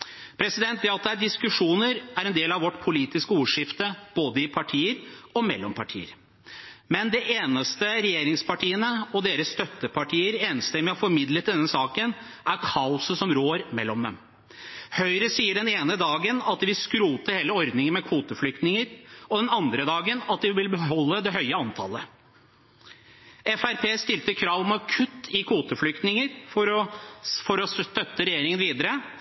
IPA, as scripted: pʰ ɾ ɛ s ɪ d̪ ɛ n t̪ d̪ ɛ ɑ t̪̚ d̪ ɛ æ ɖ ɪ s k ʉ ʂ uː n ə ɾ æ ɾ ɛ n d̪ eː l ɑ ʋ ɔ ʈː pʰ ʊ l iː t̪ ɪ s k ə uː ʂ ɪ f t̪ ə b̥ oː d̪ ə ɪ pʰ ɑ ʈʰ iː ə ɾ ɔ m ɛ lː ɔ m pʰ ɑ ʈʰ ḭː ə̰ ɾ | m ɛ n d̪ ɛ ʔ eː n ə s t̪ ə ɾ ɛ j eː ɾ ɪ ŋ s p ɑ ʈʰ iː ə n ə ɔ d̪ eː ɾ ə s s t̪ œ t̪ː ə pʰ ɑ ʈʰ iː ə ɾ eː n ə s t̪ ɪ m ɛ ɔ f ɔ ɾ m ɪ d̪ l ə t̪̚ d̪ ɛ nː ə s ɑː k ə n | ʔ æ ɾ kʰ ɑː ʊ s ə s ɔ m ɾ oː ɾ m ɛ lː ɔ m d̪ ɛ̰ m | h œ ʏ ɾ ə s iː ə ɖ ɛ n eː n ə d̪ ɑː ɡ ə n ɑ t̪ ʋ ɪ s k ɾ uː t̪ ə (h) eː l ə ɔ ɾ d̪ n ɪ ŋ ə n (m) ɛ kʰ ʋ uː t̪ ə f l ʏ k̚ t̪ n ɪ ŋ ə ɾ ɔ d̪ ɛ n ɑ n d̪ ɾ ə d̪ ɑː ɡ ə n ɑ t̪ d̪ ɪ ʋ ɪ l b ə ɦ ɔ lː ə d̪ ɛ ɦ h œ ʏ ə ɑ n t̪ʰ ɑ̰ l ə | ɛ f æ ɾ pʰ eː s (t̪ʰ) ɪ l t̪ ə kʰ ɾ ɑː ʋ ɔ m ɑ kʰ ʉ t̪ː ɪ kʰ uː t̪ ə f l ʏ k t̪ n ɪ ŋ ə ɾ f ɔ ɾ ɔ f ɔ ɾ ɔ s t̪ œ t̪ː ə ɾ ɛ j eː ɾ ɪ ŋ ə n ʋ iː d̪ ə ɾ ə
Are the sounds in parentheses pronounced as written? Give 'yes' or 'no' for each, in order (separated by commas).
yes, yes, no